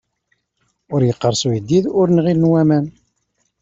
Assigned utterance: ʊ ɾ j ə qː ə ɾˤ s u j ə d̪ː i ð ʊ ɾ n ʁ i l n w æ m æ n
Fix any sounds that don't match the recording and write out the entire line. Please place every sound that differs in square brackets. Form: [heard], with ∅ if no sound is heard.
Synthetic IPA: ʊ ɾ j ə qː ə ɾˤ s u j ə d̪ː i ð ʊ ɾ n ʁ i l n w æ m æ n